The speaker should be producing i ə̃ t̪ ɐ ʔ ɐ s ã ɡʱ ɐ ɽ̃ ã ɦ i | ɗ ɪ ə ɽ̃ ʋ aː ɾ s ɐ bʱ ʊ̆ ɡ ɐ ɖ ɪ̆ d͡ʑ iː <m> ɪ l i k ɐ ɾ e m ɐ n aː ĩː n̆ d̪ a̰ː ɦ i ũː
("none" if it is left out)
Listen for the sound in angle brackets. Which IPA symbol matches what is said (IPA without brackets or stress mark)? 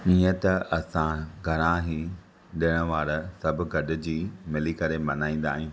m